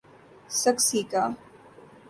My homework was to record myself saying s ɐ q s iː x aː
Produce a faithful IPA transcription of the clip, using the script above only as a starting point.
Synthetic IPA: s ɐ k s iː k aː

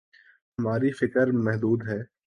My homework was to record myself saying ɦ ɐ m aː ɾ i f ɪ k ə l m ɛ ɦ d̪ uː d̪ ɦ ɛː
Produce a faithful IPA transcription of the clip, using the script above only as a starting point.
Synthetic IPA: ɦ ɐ m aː ɾ i f ɪ k ə ɾ m ɛ ɦ d̪ uː d̪ ɦ ɛː

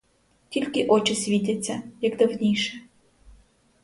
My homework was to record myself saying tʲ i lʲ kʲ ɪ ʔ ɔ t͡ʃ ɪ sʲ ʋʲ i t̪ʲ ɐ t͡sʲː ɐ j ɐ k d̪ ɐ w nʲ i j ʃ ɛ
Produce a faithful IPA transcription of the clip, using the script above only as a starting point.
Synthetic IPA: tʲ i lʲ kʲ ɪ ʔ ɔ t͡ʃ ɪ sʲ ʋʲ i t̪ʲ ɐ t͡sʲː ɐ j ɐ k d̪ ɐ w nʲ i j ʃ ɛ

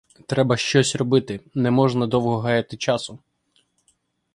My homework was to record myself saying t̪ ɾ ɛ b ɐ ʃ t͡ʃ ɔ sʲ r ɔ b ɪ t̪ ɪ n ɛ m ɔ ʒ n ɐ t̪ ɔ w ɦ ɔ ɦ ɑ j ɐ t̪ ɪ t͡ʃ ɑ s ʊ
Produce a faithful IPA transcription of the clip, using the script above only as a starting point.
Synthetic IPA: t̪ ɾ ɛ b ɐ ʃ t͡ʃ ɔ sʲ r ɔ b ɪ t̪ ɪ n ɛ m ɔ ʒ n ɐ d̪ ɔ w ɦ ɔ ɦ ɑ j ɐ t̪ ɪ t͡ʃ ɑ s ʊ

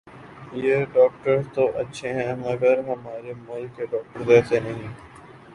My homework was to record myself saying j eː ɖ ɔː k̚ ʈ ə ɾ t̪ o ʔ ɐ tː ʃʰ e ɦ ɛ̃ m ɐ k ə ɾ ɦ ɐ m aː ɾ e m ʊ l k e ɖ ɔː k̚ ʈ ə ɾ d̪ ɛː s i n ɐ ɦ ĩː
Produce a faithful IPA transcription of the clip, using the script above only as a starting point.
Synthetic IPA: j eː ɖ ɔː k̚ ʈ ə ɾ t̪ o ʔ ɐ tː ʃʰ e ɦ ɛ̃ m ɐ ɡ ə ɾ ɦ ɐ m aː ɾ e m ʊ l k e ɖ ɔː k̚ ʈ ə ɾ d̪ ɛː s e n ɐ ɦ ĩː

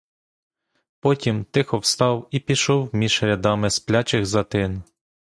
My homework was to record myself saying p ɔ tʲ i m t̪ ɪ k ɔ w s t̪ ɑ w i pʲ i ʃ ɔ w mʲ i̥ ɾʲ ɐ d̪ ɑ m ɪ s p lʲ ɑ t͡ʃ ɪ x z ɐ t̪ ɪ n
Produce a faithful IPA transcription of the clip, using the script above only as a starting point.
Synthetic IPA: p ɔ tʲ i m t̪ ɪ x ɔ w s t̪ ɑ w i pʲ i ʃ ɔ w mʲ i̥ ɾʲ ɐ d̪ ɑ m ɪ s p lʲ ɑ t͡ʃ ɪ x z ɐ t̪ ɪ n

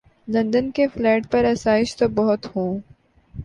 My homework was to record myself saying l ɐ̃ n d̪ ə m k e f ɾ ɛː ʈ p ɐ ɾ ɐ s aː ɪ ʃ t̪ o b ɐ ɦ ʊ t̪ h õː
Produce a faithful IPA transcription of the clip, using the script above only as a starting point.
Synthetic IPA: l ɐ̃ n d̪ ə n k e f l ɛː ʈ p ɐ ɾ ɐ s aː ɪ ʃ t̪ o b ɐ ɦ ʊ t̪ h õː

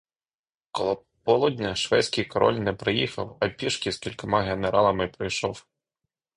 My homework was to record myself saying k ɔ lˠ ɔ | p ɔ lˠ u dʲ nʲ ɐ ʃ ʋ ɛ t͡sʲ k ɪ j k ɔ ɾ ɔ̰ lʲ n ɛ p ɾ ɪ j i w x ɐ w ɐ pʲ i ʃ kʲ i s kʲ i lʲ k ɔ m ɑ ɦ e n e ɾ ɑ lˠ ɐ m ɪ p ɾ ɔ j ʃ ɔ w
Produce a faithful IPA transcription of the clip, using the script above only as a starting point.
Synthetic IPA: k ɔ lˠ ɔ | p ɔ lˠ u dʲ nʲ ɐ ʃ ʋ ɛ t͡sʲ k ɪ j k ɔ ɾ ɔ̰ lʲ n ɛ p ɾ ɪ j i x ɐ w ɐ pʲ i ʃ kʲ i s kʲ i lʲ k ɔ m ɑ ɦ e n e ɾ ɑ lˠ ɐ m ɪ p ɾ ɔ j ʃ ɔ w

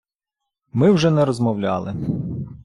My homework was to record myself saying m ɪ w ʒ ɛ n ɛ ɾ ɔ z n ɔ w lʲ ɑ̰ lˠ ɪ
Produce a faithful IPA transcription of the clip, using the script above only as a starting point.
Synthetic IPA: m ɪ w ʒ ɛ n ɛ ɾ ɔ z m ɔ w lʲ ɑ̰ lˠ ɪ

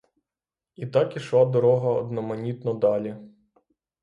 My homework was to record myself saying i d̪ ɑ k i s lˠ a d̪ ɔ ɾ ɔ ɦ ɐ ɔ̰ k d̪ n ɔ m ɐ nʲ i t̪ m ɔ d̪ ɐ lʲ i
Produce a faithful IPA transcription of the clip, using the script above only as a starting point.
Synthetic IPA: i t̪ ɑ k i ʃ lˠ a d̪ ɔ ɾ ɔ ɦ ɐ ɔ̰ d̪ n ɔ m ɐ nʲ i t̪ n ɔ d̪ ɑ lʲ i

